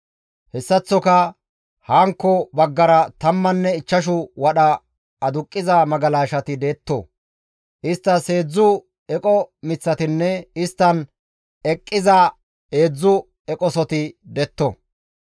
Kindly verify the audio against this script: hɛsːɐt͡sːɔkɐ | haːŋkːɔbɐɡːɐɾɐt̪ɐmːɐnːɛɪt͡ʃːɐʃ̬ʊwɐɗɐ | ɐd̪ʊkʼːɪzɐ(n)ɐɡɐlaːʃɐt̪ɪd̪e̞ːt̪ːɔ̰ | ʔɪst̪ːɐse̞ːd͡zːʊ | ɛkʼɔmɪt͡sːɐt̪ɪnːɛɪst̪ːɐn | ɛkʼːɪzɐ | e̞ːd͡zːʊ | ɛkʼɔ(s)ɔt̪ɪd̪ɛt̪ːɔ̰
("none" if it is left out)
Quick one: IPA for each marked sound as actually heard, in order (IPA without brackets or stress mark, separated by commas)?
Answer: m, s